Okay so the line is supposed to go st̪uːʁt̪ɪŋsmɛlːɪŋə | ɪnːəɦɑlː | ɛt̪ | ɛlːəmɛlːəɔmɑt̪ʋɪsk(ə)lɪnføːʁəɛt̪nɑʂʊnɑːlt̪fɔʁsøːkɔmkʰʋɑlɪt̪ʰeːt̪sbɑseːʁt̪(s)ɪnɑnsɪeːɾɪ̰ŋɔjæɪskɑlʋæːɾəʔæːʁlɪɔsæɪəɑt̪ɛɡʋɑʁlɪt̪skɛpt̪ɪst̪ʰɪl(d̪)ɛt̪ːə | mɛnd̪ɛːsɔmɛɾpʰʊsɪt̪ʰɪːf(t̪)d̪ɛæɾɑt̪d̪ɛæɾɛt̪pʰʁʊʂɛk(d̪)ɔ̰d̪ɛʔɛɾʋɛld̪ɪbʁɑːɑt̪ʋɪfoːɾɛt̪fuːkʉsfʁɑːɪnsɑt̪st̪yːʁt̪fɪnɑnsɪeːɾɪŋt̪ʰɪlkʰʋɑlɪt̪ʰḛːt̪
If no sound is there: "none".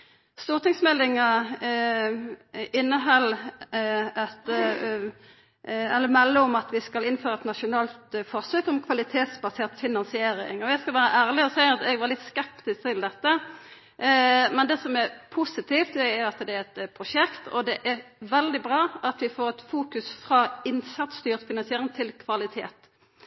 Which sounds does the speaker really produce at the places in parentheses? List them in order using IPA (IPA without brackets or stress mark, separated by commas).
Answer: ɑ, f, d̪, t̪, t̪